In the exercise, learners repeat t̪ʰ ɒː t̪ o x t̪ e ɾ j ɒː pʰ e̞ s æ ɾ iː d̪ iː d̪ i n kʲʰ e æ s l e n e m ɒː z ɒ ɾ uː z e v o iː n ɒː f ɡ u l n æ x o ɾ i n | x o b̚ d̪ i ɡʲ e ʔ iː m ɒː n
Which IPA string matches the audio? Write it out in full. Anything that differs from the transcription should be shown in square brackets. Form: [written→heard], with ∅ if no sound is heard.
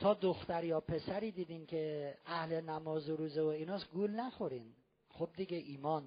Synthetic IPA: t̪ʰ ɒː [t̪→d̪] o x t̪ [e→æ] ɾ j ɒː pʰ e̞ s æ ɾ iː d̪ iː d̪ i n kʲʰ e æ [s→h] l e n [e→æ] m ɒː z [ɒ→o] ɾ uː z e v o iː n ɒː [f→s] ɡ u l n æ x o ɾ i n | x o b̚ d̪ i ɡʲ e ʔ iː m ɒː n